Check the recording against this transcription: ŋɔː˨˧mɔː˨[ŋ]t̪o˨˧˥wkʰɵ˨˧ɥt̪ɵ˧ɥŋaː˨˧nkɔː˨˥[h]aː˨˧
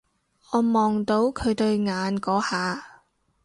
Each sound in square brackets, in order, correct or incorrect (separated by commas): correct, correct